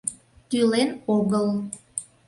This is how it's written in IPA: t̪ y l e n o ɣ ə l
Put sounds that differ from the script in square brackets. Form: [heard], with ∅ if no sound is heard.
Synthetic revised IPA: t̪ y l e n o ɣ ə l